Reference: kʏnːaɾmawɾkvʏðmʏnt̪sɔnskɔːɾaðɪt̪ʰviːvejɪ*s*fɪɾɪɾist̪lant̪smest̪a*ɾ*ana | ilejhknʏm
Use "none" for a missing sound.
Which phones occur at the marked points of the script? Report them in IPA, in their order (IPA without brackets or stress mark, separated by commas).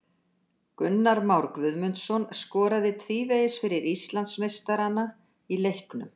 s, ɾ